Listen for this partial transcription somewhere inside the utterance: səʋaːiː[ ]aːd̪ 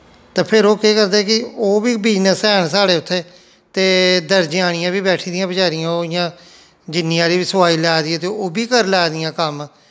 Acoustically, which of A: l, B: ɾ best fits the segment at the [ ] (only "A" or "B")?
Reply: A